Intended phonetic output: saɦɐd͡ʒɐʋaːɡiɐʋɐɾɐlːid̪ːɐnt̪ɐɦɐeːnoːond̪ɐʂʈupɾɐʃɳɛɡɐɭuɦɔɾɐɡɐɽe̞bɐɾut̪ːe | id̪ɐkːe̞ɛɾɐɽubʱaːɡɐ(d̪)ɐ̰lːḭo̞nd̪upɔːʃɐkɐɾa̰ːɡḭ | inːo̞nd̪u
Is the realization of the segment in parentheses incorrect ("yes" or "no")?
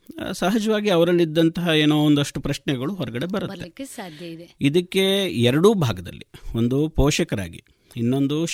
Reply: no